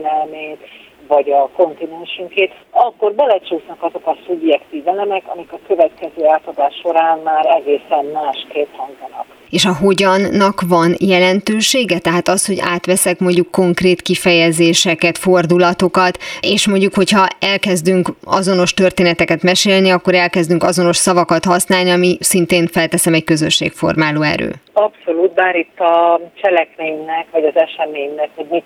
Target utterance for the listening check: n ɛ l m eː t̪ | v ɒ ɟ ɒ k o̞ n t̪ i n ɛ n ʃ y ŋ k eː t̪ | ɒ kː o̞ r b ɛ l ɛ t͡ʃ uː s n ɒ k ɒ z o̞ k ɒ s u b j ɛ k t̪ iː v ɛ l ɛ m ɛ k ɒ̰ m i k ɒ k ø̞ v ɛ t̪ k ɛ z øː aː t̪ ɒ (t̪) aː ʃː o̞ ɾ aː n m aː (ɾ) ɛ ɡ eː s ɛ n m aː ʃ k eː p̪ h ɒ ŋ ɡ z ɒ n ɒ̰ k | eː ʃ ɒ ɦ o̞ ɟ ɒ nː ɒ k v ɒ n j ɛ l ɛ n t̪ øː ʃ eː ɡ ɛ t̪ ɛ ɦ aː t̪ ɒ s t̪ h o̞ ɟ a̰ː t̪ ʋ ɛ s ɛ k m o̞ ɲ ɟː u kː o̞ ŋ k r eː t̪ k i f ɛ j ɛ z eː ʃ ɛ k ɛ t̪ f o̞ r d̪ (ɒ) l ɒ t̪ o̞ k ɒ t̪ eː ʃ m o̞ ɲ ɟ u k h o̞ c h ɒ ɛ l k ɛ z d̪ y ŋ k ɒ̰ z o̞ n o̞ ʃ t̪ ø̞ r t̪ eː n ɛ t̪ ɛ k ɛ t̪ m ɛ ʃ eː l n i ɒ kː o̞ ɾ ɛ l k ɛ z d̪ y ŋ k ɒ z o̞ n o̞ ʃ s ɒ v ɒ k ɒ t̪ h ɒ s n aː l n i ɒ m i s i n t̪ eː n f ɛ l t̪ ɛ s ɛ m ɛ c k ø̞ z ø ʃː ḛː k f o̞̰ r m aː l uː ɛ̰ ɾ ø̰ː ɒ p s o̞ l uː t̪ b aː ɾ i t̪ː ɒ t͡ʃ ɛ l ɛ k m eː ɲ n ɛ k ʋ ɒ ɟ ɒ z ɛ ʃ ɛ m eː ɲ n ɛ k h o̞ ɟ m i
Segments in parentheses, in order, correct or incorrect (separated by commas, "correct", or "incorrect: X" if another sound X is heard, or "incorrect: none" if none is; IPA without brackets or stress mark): incorrect: d̪, correct, incorrect: u